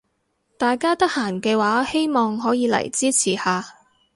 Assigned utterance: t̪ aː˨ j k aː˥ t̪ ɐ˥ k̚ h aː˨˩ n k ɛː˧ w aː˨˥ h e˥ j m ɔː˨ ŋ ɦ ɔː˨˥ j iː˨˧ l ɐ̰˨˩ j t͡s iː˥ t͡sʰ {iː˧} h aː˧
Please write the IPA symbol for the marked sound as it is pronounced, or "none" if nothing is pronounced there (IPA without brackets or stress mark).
iː˨˩